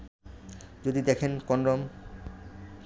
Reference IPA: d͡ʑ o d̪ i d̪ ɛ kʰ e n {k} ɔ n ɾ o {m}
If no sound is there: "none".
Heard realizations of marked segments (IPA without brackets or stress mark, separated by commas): k, m